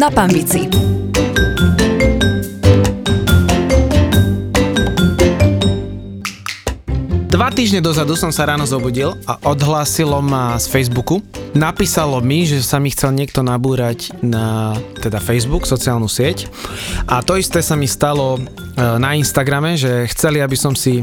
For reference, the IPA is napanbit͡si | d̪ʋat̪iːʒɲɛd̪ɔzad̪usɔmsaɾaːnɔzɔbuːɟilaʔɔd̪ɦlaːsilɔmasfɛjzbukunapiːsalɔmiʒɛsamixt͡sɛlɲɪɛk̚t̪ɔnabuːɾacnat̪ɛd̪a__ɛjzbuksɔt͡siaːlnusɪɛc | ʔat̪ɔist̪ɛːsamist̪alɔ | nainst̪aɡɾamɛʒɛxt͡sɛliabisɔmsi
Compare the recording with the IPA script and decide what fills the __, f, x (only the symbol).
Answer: f